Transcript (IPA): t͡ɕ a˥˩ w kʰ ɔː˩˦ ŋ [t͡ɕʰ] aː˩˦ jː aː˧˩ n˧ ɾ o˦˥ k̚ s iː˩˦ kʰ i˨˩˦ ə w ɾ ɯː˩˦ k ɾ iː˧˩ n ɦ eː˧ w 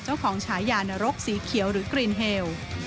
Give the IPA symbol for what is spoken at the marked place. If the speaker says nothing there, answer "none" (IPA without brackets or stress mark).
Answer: t͡ɕʰ